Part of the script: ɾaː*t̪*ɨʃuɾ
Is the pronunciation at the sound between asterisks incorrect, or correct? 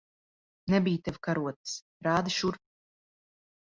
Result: incorrect